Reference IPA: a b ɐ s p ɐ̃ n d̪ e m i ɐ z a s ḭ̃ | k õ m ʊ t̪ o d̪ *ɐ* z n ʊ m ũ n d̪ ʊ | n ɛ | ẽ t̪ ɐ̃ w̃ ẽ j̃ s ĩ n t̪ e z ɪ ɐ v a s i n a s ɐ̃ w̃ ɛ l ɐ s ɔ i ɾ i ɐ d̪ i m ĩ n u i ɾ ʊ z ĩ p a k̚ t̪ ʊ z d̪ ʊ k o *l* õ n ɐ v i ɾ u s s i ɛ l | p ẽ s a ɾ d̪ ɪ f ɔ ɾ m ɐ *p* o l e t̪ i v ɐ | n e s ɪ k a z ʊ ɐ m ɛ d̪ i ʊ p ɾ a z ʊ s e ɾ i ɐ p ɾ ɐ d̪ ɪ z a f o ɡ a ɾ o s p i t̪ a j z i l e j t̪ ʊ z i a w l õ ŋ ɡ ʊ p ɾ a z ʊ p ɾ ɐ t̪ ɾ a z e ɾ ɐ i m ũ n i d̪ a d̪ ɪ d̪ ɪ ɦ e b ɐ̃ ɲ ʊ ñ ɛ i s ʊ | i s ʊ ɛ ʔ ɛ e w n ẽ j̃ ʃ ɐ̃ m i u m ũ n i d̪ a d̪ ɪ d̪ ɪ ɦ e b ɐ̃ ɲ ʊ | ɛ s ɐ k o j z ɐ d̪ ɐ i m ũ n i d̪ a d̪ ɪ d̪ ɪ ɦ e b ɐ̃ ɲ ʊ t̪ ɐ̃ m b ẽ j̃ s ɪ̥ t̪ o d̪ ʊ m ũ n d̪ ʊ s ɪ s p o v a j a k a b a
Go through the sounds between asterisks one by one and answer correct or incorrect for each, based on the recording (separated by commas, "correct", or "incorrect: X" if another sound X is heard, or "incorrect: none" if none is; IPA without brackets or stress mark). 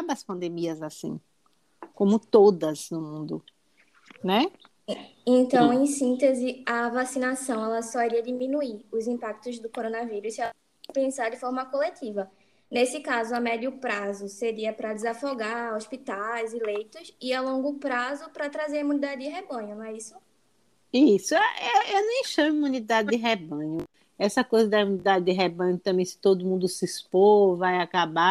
correct, incorrect: ɾ, incorrect: k